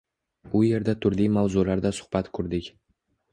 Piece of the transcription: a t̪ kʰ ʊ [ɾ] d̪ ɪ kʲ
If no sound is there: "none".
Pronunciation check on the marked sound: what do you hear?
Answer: ɾ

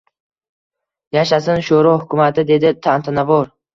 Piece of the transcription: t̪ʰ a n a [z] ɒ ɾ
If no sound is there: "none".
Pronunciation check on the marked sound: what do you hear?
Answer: v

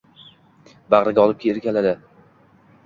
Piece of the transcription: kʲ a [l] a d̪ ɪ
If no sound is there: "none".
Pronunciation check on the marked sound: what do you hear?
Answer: l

